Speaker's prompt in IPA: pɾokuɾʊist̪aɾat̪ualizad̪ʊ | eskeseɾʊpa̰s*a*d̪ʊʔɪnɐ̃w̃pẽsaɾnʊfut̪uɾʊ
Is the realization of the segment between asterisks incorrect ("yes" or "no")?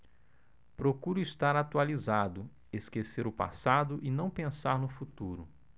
no